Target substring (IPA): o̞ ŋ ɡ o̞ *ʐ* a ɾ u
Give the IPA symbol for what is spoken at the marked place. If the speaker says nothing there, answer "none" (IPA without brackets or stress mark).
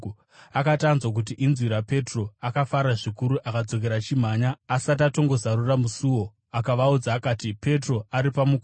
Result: z